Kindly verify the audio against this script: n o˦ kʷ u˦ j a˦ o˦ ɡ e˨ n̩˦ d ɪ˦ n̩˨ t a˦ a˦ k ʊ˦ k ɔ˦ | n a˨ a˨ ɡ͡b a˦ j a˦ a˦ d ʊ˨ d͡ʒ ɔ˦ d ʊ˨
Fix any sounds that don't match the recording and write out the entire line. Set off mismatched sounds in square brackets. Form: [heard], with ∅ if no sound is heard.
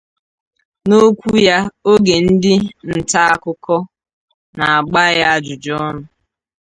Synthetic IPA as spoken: n o˦ kʷ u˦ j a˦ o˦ ɡ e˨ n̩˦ d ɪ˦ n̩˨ t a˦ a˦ k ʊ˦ k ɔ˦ | n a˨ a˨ ɡ͡b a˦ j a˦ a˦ [d͡ʒ] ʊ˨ d͡ʒ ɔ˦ [n] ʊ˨